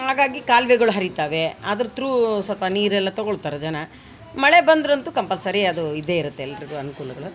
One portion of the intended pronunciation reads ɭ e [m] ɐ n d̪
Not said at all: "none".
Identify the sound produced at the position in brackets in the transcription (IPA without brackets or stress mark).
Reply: b